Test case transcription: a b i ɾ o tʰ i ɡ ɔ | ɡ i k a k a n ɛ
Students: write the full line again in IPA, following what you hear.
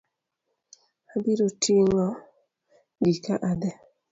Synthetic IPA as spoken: a b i ɾ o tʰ i ŋ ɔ | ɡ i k a ʔ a d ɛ